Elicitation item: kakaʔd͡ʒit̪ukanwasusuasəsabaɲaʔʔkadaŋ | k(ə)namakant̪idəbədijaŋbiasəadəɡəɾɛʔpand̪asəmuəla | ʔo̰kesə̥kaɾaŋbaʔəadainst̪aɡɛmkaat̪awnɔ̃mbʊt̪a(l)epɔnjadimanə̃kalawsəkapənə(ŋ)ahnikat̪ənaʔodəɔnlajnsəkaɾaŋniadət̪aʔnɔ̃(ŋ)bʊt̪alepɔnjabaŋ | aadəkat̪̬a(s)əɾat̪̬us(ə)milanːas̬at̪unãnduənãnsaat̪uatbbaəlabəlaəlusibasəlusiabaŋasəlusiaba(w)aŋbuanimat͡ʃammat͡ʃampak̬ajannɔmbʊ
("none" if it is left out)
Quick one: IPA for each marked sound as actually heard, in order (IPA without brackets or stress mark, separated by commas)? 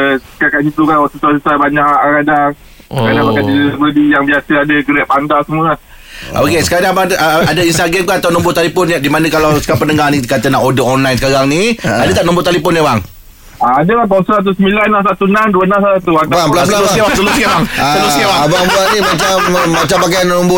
a, l, ŋ, m, s, ə, b